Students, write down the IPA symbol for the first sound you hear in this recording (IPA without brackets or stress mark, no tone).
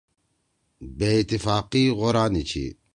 b